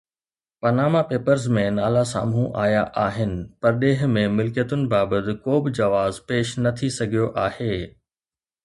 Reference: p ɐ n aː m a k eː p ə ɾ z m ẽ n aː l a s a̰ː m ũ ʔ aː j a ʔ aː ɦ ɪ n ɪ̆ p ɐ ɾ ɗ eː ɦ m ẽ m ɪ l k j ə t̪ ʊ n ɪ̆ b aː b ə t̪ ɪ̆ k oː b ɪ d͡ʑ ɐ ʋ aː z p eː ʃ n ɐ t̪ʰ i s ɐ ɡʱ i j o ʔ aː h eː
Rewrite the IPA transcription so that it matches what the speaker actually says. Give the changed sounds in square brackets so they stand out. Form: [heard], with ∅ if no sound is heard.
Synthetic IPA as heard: p ɐ n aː m a [p] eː p ə ɾ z m ẽ n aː l a s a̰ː m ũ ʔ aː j a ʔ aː ɦ ɪ n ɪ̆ p ɐ ɾ ɗ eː ɦ m ẽ m ɪ l k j ə t̪ ʊ n ɪ̆ b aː b ə t̪ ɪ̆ k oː b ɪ d͡ʑ ɐ ʋ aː z p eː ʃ n ɐ t̪ʰ i s ɐ ɡʱ i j o ʔ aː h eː